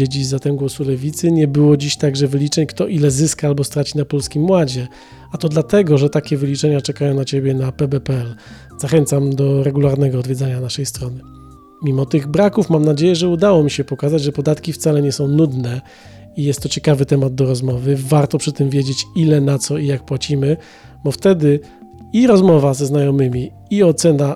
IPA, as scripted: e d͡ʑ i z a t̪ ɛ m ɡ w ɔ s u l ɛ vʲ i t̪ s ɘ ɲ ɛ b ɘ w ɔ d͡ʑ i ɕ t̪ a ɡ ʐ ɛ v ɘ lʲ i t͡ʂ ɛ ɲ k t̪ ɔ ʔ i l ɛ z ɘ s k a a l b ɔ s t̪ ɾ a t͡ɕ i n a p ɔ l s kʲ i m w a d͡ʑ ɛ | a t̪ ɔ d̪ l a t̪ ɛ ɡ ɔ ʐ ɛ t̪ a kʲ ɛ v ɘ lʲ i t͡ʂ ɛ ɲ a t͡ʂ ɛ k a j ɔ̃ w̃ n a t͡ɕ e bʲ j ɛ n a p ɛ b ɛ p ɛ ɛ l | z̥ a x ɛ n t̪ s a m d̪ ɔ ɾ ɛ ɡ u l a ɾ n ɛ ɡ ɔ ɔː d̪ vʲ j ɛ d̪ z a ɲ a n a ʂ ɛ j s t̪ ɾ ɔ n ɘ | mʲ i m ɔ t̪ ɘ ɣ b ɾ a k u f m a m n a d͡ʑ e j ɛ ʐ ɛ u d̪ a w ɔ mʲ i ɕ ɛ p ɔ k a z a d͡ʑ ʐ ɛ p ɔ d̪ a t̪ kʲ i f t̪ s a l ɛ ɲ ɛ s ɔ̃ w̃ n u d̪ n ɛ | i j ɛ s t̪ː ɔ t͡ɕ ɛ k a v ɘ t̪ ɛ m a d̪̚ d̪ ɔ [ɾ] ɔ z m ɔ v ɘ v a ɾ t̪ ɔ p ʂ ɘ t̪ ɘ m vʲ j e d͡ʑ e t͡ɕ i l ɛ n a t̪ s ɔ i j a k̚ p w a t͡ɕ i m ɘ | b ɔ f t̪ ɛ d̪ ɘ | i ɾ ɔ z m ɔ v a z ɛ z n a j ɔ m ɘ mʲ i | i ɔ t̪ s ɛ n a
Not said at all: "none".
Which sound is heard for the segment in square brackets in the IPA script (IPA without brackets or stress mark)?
ɾ